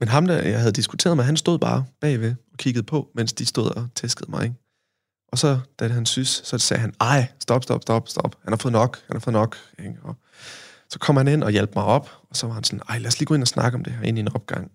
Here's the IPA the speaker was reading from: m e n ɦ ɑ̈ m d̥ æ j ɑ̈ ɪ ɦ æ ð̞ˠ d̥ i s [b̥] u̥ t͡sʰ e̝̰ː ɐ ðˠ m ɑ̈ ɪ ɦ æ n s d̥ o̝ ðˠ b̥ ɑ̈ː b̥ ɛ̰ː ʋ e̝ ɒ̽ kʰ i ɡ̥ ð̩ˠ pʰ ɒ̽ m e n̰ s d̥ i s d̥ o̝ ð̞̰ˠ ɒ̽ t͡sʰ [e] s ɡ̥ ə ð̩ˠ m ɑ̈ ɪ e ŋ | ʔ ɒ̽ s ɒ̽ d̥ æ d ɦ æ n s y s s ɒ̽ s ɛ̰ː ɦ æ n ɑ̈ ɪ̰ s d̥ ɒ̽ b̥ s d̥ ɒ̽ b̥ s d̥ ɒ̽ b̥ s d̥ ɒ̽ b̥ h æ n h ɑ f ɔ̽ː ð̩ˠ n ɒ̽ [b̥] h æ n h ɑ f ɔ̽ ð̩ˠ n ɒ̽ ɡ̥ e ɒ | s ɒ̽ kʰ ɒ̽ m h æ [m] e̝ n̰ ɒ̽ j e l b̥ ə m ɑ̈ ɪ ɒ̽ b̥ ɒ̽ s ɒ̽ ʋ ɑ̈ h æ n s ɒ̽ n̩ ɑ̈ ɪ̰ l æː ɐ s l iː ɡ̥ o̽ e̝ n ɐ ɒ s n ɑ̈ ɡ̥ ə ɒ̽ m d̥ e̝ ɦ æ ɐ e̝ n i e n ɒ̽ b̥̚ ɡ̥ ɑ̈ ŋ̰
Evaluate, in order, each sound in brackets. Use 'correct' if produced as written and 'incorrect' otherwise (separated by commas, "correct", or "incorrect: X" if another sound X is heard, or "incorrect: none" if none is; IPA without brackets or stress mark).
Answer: incorrect: ɡ̥, correct, incorrect: ɡ̥, incorrect: n